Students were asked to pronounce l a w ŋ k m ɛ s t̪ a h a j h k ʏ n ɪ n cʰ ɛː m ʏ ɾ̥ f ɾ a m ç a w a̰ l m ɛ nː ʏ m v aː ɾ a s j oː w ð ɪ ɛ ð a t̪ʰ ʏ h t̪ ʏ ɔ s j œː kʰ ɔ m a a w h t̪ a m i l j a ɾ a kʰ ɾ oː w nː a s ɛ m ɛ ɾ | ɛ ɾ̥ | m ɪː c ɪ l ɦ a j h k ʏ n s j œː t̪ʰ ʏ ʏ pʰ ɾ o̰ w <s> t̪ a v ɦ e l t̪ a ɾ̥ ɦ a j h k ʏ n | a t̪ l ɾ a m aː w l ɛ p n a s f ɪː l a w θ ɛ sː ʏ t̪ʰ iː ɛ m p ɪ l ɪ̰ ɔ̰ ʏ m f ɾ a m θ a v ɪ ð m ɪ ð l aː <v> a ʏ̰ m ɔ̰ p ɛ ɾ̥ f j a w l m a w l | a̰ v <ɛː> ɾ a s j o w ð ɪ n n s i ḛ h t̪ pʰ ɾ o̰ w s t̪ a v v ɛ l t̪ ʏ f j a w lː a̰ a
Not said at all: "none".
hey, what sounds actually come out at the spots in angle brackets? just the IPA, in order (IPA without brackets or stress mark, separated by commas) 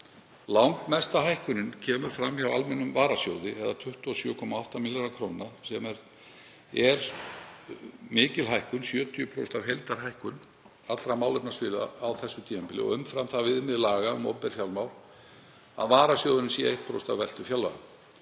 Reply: s, ɣ, aː